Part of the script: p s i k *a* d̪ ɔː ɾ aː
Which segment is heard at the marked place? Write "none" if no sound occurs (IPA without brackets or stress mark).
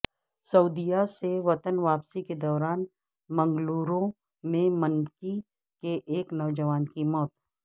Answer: e